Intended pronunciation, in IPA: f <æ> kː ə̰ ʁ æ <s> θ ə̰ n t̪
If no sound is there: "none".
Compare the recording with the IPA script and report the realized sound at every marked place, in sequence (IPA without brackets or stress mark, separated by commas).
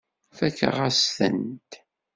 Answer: æ, s